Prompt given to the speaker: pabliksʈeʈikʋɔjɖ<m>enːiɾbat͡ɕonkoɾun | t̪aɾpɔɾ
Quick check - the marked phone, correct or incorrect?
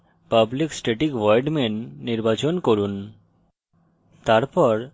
correct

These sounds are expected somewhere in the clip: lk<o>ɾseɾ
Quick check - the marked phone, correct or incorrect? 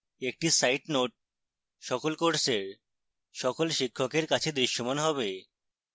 correct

